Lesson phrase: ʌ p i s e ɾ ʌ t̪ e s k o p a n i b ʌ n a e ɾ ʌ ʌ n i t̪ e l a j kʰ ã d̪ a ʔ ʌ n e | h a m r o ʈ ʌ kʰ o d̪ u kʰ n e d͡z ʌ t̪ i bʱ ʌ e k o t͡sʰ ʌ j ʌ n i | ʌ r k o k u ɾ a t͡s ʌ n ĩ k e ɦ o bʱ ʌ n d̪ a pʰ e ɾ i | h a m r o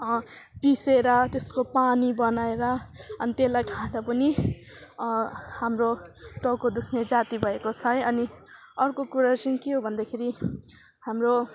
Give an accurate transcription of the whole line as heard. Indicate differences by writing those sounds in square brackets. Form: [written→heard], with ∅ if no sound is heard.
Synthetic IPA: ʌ p i s e ɾ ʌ t̪ e s k o p a n i b ʌ n a e ɾ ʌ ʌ n i t̪ e l a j kʰ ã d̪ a [ʔ→p] ʌ n [e→i] | h a m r o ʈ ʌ [kʰ→k] o d̪ u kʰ n e d͡z [ʌ→a] t̪ i bʱ ʌ e k o t͡sʰ ʌ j ʌ n i | ʌ r k o k u ɾ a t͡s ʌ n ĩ k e ɦ o bʱ ʌ n d̪ a [pʰ→kʰ] e ɾ i | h a m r o